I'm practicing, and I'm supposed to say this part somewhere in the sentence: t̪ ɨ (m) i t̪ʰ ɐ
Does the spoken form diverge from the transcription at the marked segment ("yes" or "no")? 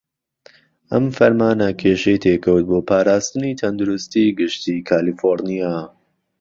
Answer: yes